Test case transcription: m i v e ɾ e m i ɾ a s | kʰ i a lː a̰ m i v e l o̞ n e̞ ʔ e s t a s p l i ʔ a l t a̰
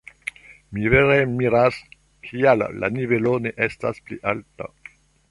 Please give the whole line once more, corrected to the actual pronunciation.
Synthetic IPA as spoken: m i v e ɾ e m i ɾ a s | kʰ i a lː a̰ n i v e l o̞ n e̞ ʔ e s t a s p l i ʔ a l t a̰